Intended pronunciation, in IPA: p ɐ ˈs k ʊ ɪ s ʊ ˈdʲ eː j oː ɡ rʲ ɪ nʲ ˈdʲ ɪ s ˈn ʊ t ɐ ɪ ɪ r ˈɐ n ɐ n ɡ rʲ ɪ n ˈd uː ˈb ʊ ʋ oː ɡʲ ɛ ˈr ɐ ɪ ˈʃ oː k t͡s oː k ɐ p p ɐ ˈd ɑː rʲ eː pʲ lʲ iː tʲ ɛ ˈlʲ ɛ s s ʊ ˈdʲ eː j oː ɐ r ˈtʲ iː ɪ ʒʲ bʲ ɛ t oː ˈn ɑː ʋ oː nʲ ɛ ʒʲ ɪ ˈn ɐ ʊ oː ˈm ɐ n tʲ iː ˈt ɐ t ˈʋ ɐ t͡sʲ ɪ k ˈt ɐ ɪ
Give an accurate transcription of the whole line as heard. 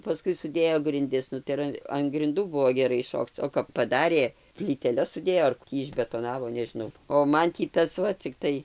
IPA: p ɐ ˈs k ʊ ɪ s ʊ ˈdʲ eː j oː ɡ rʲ ɪ nʲ ˈdʲ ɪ s ˈn ʊ t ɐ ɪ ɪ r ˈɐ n ɐ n ɡ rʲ ɪ n ˈd uː ˈb ʊ ʋ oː ɡʲ ɛ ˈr ɐ ɪ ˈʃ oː k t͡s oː k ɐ p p ɐ ˈd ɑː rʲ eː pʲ lʲ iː tʲ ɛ ˈlʲ ɛ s s ʊ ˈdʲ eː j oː ɐ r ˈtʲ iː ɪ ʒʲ bʲ ɛ t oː ˈn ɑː ʋ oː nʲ ɛ ʒʲ ɪ ˈn ɐ ʊ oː ˈm ɐ n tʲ iː ˈt ɐ s ˈʋ ɐ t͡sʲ ɪ k ˈt ɐ ɪ